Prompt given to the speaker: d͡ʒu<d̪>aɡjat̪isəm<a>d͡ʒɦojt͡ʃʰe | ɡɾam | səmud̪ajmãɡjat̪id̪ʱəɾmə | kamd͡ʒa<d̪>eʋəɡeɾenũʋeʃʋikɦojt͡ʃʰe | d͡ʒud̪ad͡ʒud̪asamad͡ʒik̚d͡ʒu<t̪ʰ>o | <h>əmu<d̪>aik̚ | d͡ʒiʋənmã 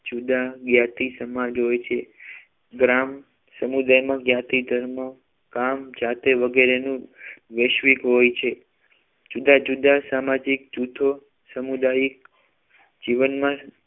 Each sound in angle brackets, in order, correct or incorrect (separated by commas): correct, correct, incorrect, correct, incorrect, correct